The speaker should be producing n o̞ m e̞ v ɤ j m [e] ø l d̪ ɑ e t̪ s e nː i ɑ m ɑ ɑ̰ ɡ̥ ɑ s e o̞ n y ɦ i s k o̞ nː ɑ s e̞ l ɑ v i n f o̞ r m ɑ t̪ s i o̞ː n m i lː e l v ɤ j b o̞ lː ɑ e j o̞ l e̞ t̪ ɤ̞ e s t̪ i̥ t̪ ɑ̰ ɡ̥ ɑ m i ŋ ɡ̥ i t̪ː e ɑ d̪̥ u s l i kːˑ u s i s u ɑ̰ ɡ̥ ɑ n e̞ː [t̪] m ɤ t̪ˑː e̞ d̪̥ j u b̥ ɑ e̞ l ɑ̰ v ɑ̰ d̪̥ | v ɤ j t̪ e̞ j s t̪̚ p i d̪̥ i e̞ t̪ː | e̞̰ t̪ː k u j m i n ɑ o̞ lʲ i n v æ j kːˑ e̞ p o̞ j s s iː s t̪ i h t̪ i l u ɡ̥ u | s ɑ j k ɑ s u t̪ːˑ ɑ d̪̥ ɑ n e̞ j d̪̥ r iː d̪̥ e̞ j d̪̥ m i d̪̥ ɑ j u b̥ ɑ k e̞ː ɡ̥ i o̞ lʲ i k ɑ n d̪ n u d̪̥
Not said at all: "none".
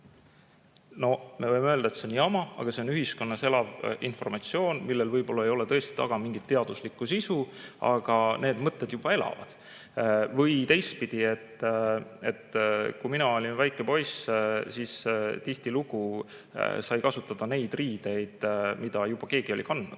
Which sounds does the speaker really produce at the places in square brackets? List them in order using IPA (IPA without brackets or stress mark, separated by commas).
e, d̪